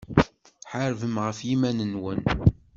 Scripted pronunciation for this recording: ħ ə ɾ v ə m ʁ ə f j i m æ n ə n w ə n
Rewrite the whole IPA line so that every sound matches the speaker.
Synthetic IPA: ħ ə ɾ v ə m ʁ ə f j i m æ n ə n w ə n